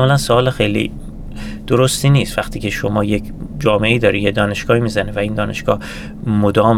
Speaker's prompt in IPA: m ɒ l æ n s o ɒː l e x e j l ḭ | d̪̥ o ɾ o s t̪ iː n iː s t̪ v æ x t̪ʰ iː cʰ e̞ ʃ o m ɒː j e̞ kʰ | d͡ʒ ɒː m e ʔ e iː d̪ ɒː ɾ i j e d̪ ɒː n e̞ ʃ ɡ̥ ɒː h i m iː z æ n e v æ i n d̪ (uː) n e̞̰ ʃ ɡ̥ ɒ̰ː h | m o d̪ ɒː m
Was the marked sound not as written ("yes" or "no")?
yes